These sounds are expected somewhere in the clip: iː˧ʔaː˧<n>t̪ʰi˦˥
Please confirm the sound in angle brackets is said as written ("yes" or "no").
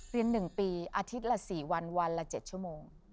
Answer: no